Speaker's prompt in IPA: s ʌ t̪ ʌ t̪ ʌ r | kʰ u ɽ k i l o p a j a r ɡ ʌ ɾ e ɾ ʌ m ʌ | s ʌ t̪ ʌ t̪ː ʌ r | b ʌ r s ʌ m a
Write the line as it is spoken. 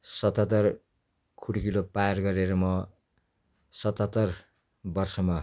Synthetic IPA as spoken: s ʌ t̪ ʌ t̪ ʌ r | kʰ u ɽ k i l o p a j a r ɡ ʌ ɾ e ɾ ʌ m ʌ | s ʌ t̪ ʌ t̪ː ʌ r | b ʌ r s ʌ m a